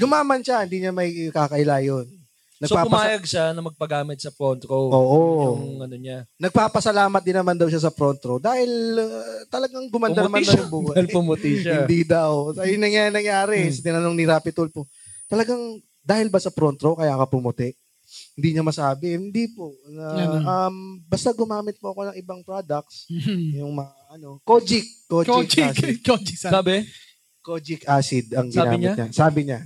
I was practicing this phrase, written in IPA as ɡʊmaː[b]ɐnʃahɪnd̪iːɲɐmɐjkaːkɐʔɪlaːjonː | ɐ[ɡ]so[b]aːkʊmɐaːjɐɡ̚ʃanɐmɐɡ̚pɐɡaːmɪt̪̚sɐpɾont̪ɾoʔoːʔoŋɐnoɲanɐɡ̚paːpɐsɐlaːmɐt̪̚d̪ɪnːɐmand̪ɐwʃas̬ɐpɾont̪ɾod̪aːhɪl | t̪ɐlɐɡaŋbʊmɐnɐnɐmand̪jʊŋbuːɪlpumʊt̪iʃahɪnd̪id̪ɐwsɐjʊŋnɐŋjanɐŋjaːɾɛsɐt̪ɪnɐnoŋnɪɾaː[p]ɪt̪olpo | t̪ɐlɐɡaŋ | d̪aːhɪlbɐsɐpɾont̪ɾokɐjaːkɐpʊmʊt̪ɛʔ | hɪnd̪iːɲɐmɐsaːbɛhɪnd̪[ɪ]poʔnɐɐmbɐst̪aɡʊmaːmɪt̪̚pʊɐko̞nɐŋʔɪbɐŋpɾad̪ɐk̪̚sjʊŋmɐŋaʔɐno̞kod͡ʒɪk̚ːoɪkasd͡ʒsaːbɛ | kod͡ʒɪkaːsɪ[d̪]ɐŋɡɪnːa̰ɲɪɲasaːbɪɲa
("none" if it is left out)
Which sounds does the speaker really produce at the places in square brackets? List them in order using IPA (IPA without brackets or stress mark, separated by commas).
m, ɡ, p, p, i, d̪